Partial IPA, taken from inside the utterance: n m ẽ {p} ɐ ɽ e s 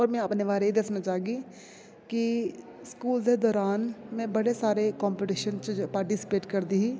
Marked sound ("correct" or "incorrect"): incorrect